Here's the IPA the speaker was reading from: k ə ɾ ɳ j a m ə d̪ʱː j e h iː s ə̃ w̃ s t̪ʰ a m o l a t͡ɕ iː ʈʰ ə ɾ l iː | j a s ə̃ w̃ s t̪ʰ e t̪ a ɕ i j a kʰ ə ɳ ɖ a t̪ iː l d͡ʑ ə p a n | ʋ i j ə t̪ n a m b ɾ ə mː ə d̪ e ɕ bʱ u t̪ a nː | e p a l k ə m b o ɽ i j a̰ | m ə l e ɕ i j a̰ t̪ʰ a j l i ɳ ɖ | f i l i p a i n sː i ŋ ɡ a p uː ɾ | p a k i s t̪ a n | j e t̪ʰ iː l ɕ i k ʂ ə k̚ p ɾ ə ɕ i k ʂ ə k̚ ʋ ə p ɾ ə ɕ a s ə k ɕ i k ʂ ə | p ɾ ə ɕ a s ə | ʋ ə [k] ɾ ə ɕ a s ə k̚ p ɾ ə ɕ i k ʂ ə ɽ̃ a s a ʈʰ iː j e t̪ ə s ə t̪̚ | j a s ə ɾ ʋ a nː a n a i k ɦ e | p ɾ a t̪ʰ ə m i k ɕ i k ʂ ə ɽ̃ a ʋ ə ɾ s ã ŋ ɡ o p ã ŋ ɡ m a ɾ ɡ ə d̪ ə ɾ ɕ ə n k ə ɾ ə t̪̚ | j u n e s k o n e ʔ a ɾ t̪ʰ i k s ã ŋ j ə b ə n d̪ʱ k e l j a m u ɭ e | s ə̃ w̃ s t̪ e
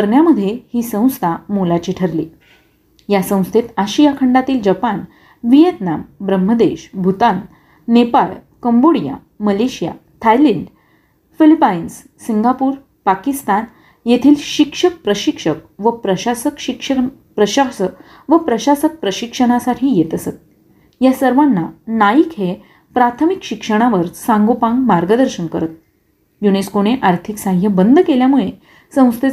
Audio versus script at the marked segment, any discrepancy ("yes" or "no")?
yes